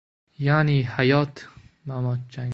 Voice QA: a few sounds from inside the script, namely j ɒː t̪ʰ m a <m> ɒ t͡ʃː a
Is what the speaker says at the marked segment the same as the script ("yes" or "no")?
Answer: yes